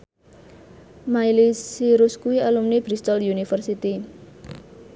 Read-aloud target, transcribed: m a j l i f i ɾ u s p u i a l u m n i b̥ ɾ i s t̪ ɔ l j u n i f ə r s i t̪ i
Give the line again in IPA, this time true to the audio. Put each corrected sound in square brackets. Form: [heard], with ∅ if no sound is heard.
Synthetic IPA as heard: m a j l i [s] i ɾ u s [k] u i a l u m n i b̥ ɾ i s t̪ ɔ l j u n i f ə r s i t̪ i